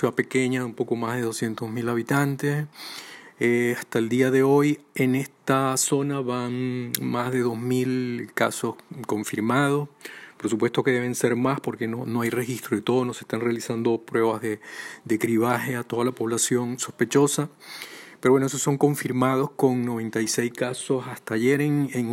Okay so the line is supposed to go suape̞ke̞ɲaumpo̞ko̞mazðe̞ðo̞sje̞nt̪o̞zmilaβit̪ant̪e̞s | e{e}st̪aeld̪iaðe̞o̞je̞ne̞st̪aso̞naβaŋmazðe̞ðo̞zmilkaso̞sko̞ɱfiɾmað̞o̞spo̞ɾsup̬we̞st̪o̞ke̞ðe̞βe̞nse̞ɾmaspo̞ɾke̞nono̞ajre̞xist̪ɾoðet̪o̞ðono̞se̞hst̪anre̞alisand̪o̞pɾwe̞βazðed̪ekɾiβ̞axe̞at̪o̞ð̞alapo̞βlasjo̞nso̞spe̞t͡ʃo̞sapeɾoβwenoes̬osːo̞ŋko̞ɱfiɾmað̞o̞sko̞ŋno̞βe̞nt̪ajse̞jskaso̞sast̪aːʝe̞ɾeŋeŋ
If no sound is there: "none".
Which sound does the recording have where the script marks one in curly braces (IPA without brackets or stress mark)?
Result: a